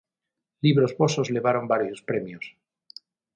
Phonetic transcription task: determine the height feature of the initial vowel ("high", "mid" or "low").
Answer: high